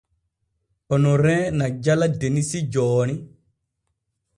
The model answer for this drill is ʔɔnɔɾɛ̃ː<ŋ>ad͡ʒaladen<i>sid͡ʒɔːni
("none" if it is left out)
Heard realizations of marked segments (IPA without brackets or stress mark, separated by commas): n, i